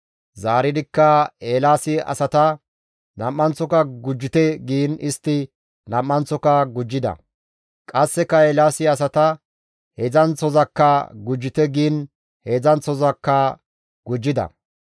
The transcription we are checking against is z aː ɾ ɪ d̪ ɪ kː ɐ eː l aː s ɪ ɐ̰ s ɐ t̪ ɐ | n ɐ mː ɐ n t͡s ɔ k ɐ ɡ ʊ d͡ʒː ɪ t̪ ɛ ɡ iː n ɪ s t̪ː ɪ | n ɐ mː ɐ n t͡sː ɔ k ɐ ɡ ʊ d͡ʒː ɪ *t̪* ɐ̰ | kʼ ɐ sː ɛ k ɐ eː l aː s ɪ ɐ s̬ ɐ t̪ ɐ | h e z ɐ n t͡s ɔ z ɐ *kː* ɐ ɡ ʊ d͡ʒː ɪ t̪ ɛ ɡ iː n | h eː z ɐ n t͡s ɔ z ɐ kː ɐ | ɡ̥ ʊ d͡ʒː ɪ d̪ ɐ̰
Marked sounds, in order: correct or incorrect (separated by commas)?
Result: incorrect, correct